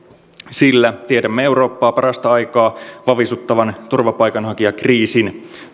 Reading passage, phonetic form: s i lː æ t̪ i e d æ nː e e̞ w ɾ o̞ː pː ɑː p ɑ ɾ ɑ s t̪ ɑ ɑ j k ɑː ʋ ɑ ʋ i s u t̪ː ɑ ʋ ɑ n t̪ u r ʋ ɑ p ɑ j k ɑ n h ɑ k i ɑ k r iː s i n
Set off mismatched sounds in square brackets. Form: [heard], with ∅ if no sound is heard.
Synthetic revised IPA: s i lː æ t̪ i e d æ [mː] e e̞ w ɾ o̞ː pː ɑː p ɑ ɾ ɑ s t̪ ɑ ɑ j k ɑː ʋ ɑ ʋ i s u t̪ː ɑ ʋ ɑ n t̪ u r ʋ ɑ p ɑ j k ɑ n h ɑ k i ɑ k r iː s i n